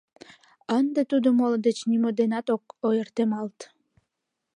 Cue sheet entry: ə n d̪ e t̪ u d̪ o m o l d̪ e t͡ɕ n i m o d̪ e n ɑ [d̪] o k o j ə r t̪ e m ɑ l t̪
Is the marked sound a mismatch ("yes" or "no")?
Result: yes